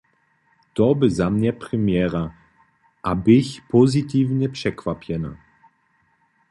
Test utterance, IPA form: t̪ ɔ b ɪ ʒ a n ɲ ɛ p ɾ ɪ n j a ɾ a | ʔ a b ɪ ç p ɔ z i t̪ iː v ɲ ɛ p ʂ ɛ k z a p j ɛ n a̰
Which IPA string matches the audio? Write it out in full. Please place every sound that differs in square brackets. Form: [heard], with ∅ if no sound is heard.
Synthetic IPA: t̪ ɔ b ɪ [z] a [m] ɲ ɛ p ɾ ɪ [m] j [ɛ] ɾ a | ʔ a b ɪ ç p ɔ z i t̪ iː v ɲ ɛ p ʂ ɛ k [v] a p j ɛ n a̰